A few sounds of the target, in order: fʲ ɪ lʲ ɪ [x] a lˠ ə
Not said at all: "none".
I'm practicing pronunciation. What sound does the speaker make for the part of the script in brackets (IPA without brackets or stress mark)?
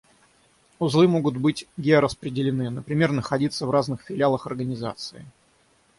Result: none